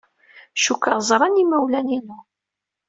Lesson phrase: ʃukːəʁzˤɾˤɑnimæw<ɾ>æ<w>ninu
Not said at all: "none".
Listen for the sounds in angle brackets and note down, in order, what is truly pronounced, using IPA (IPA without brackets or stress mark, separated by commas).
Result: l, none